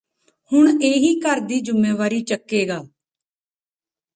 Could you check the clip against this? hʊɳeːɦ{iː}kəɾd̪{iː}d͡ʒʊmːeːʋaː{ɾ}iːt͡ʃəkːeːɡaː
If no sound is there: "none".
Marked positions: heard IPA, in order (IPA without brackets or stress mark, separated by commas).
iː, iː, ɾ